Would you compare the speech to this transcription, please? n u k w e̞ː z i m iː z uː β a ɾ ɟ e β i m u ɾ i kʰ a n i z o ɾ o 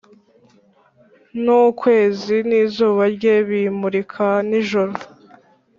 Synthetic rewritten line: n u k w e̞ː z i n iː z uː β a ɾ ɟ e β i m u ɾ i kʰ a n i ʒ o ɾ o